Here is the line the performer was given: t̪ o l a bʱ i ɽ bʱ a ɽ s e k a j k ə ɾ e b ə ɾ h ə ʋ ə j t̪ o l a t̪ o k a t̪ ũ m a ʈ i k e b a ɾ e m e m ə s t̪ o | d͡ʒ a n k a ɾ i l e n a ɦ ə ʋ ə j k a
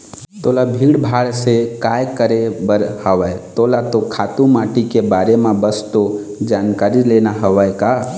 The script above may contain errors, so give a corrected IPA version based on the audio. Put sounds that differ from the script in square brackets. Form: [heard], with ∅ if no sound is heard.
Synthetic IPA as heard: t̪ o l a bʱ i ɽ bʱ a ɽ s e k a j k ə ɾ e b ə ɾ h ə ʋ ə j t̪ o l a t̪ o [kʰ] a t̪ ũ m a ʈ i k e b a ɾ e m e [b] ə s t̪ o | d͡ʒ a n k a ɾ i l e n a ɦ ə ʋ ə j k a